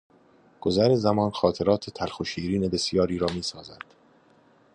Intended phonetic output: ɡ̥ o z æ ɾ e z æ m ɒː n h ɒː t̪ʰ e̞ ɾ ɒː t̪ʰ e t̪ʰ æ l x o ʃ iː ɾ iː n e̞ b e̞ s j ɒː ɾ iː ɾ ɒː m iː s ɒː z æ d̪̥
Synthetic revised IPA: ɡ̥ o z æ ɾ e z æ m ɒː n x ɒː t̪ʰ e̞ ɾ ɒː t̪ʰ e t̪ʰ æ l x o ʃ iː ɾ iː n e̞ b e̞ s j ɒː ɾ iː ɾ ɒː m iː s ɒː z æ d̪̥